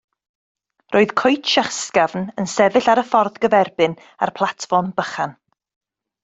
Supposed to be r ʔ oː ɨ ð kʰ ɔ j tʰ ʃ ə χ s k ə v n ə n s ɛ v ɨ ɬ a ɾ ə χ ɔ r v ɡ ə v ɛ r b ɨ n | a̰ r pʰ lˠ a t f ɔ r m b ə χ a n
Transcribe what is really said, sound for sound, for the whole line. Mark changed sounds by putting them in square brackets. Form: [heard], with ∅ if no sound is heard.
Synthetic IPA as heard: r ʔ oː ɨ ð kʰ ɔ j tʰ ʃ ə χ s k [a] v n ə n s ɛ v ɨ ɬ a ɾ ə [f] ɔ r [ð] ɡ ə v ɛ r b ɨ n | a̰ r pʰ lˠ a t f ɔ r m b ə χ a n